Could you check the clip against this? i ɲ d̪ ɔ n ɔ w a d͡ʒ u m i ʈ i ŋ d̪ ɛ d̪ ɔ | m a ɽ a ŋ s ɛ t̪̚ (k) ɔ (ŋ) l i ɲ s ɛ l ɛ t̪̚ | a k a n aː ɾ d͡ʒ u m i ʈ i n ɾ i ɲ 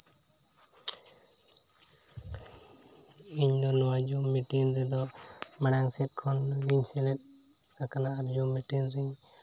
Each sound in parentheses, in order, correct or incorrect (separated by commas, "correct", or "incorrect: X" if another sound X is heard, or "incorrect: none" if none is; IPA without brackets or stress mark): incorrect: kʰ, incorrect: n